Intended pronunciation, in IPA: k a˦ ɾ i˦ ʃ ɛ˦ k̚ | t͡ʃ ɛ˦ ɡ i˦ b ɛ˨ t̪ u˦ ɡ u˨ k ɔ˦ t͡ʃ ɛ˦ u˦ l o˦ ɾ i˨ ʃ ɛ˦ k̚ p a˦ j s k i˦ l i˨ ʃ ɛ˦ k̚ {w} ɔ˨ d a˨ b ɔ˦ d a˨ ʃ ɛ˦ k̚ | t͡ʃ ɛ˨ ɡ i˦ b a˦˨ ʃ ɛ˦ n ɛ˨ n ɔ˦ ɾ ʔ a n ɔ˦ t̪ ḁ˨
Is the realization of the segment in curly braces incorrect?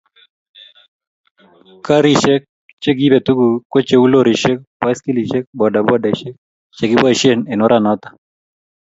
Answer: yes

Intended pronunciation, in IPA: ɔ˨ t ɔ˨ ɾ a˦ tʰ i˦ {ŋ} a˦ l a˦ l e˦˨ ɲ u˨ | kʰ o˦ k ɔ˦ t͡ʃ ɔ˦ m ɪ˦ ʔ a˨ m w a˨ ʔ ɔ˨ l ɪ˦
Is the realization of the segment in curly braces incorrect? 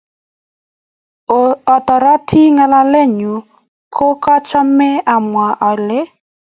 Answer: no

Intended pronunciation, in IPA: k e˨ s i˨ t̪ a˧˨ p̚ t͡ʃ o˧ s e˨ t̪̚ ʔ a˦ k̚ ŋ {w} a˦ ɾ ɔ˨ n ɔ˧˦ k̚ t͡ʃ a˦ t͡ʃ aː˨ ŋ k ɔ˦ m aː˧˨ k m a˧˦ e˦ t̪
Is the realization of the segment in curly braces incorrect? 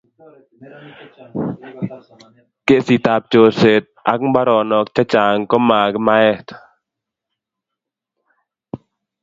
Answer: yes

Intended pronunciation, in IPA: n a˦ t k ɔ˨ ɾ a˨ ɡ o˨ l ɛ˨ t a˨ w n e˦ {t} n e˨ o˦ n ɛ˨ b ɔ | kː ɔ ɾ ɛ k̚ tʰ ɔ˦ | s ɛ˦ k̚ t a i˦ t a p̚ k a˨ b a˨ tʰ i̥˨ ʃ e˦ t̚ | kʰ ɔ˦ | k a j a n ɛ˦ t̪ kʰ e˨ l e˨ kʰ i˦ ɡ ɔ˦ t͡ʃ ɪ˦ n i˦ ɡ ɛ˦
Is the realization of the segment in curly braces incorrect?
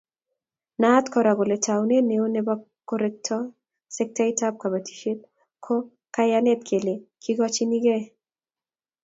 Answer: yes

